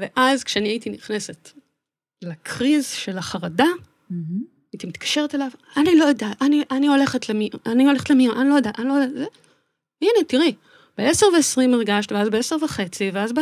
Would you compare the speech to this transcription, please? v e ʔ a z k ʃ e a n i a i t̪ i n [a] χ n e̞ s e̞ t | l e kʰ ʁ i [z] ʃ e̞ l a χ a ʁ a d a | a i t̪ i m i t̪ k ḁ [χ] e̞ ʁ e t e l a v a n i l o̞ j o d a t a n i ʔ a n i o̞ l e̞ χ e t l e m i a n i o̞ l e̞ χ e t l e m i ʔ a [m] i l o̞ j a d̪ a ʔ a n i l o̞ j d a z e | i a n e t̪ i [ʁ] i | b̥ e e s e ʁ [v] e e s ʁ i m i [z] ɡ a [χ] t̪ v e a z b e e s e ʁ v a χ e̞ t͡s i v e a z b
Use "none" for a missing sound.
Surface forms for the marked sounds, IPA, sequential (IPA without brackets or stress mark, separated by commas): i, z, ʃ, n, ʁ, v, ʁ, ʃ